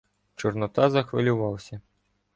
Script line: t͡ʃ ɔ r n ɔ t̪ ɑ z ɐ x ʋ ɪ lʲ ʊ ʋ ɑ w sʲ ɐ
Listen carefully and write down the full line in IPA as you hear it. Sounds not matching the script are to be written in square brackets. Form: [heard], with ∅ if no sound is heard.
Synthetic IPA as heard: t͡ʃ ɔ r n ɔ t̪ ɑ z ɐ x ʋ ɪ lʲ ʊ ʋ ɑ w sʲ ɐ

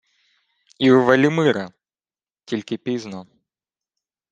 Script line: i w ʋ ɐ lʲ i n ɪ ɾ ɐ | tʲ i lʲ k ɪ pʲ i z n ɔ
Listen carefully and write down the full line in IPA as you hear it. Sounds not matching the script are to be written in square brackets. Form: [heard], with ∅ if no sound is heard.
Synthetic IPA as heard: i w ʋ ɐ lʲ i [m] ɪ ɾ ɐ | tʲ i lʲ k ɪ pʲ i z n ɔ

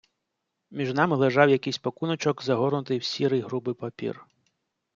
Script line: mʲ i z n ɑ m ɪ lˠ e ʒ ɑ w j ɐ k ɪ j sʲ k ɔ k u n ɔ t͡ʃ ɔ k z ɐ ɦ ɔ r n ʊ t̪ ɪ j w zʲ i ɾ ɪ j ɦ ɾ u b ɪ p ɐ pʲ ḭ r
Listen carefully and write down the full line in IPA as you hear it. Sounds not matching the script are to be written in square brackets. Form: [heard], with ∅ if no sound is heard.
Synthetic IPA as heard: mʲ i [ʒ] n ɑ m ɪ lˠ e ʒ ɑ w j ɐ k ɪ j sʲ [p] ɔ k u n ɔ t͡ʃ ɔ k z ɐ ɦ ɔ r n ʊ t̪ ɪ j w [sʲ] i ɾ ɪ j ɦ ɾ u b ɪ p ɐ pʲ ḭ r

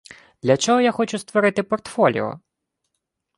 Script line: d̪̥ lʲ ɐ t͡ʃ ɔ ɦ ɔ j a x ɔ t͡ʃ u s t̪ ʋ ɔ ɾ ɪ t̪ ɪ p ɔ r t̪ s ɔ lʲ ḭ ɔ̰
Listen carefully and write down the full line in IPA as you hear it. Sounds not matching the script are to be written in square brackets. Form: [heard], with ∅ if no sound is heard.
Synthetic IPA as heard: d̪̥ lʲ ɐ t͡ʃ ɔ ɦ ɔ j a x ɔ t͡ʃ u s t̪ ʋ ɔ ɾ ɪ t̪ ɪ p ɔ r t̪ [f] ɔ lʲ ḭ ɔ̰

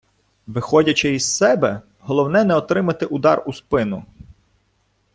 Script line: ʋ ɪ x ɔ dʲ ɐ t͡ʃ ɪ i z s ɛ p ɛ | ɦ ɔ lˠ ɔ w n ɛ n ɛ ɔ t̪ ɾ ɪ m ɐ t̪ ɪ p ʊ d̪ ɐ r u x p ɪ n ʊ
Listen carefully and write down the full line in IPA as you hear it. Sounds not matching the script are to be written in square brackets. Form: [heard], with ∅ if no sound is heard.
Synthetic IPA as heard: ʋ ɪ x ɔ dʲ ɐ t͡ʃ ɪ i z s ɛ [b] ɛ | ɦ ɔ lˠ ɔ w n ɛ n ɛ ɔ t̪ ɾ ɪ m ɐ t̪ ɪ [ʔ] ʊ d̪ [ɑ] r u [s] p ɪ n ʊ

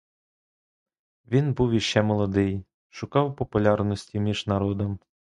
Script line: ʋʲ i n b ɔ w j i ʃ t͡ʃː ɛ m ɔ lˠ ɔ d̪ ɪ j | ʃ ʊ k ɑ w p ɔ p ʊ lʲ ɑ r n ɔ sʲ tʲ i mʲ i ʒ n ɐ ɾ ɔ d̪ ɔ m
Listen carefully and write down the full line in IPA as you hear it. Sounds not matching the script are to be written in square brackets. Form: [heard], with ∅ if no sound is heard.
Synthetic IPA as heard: ʋʲ i n b [u] w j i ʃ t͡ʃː ɛ m ɔ lˠ ɔ d̪ ɪ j | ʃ ʊ k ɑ w p ɔ p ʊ lʲ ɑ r n ɔ sʲ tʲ i mʲ i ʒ n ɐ ɾ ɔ d̪ ɔ m

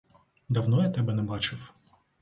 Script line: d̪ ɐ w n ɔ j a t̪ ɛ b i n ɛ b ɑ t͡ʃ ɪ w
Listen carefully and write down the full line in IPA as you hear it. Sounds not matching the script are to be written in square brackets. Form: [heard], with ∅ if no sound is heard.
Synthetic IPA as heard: d̪ ɐ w n ɔ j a t̪ ɛ b [ɛ] n ɛ b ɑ t͡ʃ ɪ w

